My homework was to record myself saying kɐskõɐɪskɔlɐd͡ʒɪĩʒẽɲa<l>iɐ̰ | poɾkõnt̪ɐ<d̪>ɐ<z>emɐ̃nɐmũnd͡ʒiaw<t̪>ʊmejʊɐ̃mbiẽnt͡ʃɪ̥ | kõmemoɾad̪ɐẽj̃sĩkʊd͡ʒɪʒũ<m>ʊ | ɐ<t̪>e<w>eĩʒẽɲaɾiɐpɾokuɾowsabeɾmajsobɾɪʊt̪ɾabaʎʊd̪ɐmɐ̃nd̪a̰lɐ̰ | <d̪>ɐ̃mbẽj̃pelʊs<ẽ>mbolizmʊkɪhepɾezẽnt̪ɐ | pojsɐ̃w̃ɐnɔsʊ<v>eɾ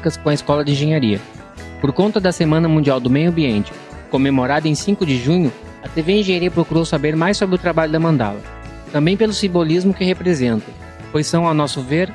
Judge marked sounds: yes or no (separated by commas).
no, yes, no, no, no, yes, no, no, no, yes